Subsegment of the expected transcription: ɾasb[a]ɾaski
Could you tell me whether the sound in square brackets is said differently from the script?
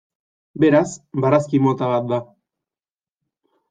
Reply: no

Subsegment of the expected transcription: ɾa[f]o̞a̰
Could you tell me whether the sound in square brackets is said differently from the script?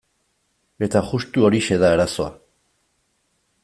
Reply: yes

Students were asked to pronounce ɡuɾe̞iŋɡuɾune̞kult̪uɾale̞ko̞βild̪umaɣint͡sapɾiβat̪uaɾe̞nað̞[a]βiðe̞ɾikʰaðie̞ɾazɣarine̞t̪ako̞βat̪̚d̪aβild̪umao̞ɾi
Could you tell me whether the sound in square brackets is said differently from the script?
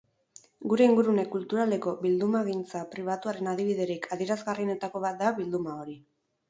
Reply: yes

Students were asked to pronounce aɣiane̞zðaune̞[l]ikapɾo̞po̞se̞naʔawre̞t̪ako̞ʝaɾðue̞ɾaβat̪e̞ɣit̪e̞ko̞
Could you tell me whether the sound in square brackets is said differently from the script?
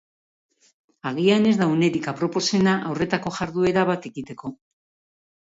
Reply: yes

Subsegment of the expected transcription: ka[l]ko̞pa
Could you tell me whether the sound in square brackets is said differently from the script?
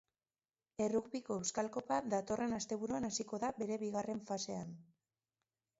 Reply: no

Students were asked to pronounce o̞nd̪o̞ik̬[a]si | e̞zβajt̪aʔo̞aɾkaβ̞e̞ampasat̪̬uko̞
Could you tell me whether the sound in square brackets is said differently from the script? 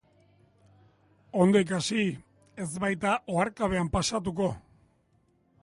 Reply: no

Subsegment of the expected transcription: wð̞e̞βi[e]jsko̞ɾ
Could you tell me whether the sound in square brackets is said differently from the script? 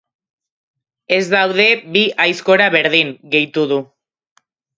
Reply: yes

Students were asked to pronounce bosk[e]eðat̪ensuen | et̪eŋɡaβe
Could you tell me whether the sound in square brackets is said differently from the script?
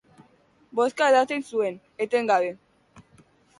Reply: yes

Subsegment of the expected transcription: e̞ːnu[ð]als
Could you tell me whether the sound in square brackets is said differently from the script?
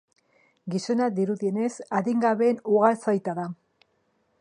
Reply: yes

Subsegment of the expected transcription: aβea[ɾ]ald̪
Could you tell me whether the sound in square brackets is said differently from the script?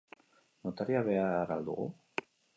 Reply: no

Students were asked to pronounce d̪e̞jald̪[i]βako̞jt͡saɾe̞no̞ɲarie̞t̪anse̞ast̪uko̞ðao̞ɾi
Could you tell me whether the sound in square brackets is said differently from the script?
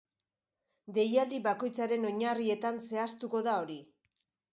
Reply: no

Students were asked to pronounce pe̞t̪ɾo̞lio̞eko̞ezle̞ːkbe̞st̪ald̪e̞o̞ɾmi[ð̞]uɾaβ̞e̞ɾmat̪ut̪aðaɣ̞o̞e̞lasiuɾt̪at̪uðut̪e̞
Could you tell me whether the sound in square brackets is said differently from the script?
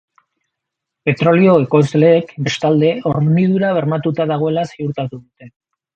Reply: no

